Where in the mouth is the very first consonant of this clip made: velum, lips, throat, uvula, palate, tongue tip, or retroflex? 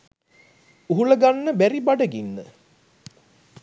throat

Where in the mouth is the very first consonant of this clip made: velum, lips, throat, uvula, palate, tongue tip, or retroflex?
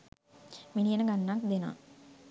lips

